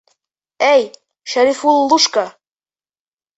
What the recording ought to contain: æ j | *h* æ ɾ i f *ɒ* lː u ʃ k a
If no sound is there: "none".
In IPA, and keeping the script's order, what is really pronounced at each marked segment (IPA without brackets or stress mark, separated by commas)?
ʃ, u